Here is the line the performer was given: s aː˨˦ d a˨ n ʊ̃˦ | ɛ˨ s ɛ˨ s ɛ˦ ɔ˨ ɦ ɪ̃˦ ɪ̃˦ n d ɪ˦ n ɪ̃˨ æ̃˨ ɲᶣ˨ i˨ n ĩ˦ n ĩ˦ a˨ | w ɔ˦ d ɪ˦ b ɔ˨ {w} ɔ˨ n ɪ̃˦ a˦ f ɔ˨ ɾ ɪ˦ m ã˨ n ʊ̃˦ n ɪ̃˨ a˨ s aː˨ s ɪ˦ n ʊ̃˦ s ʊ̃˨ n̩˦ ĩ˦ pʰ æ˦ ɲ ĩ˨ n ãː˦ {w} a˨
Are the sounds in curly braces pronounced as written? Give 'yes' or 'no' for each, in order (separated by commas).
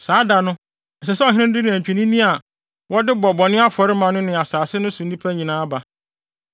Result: no, no